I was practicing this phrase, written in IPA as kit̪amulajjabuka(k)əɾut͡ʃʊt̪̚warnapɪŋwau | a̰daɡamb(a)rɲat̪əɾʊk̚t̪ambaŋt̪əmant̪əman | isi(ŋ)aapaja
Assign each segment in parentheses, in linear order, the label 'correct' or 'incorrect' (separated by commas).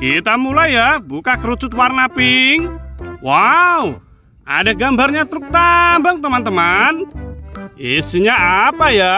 correct, correct, incorrect